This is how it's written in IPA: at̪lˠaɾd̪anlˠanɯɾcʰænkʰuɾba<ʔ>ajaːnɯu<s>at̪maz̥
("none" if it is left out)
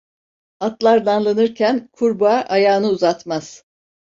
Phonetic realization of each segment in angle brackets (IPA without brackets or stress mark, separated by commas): ʔ, z